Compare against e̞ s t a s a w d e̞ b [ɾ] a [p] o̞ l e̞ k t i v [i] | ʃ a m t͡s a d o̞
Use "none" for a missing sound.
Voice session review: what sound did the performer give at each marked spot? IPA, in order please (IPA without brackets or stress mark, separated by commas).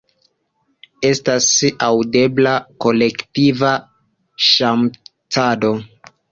l, k, a